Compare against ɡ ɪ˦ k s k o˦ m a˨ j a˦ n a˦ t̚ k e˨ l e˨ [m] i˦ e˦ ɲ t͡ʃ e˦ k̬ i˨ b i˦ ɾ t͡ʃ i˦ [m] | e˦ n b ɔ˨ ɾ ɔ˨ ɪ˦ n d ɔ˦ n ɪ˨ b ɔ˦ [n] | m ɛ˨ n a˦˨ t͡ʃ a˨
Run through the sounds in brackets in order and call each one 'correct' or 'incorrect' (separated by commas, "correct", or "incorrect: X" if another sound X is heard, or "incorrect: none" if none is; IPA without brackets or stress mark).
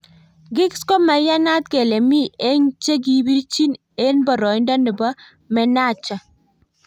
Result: correct, incorrect: n, incorrect: none